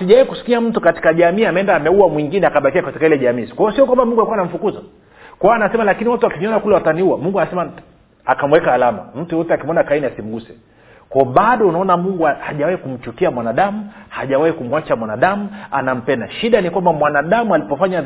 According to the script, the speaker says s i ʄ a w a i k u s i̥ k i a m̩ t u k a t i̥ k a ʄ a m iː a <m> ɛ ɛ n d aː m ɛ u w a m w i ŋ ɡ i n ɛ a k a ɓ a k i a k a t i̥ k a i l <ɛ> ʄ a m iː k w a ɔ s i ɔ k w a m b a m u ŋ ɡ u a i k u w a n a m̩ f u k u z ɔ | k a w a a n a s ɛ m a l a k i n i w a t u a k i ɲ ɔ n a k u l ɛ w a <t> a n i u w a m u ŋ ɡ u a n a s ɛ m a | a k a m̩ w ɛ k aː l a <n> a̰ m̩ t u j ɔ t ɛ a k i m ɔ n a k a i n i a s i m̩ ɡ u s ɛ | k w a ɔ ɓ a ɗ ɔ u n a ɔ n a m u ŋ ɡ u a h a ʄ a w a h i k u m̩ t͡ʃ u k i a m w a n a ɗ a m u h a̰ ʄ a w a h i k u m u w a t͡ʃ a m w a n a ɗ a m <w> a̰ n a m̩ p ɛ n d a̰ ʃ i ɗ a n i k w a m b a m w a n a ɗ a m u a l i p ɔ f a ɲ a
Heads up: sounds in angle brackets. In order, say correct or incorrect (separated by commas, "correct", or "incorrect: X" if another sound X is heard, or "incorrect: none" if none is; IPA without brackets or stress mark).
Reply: correct, correct, correct, incorrect: m, incorrect: u